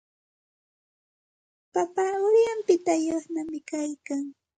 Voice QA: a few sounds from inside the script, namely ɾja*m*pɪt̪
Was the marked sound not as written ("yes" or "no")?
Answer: no